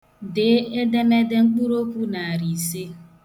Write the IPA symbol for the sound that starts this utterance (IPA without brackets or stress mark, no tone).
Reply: d